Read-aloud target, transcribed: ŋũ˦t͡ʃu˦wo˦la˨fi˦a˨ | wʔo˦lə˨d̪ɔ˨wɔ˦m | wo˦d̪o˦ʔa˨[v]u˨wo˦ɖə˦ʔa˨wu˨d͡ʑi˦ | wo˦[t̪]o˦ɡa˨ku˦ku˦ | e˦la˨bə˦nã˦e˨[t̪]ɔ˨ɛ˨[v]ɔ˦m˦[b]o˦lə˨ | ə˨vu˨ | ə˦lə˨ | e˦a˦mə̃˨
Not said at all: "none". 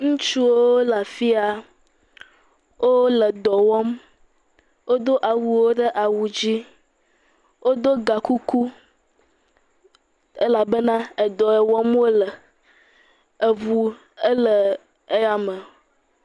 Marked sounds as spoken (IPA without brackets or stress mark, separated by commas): w, d̪, d̪, w, w